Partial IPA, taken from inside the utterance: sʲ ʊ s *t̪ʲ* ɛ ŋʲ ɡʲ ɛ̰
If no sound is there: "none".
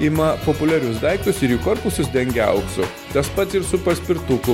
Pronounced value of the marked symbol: d̪ʲ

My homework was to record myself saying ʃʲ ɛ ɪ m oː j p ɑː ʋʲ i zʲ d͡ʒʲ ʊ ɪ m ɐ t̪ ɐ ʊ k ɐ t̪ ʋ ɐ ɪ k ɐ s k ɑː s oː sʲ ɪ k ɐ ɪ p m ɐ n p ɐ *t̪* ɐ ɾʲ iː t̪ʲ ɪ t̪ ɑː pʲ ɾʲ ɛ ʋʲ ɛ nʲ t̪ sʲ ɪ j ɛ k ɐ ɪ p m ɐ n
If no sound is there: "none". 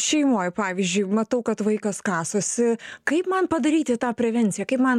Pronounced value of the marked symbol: d̪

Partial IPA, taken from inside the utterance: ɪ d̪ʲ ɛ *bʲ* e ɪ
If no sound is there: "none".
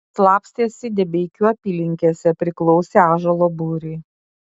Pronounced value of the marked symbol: bʲ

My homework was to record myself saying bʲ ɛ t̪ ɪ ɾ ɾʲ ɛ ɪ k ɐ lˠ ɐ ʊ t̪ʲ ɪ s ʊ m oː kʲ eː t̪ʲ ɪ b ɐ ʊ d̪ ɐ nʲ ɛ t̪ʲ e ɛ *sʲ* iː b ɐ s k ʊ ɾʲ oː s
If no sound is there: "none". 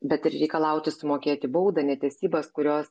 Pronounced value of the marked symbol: sʲ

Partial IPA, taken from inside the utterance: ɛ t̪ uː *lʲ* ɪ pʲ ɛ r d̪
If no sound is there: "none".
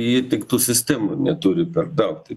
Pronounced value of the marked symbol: ɾʲ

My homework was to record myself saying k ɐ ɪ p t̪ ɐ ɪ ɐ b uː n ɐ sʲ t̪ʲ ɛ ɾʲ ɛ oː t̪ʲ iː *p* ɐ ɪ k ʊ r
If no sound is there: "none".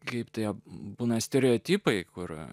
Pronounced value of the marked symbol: p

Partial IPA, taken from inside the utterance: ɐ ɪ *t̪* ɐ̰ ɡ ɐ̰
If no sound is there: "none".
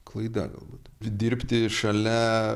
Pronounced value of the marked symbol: d̪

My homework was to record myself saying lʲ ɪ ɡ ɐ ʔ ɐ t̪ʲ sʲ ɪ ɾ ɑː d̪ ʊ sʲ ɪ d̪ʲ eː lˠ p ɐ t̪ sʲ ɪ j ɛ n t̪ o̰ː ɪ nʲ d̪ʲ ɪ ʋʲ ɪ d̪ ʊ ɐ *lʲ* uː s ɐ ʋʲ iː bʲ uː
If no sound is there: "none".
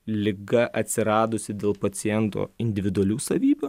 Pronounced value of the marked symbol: lʲ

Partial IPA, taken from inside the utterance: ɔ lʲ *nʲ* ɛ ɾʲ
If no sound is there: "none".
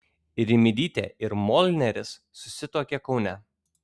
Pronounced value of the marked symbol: nʲ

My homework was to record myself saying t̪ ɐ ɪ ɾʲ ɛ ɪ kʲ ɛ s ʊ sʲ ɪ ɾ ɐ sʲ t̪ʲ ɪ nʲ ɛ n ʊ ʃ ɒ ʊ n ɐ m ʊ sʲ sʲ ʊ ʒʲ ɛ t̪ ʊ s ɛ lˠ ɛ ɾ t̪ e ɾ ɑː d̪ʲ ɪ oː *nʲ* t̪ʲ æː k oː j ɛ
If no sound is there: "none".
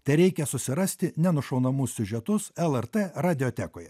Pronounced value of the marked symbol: none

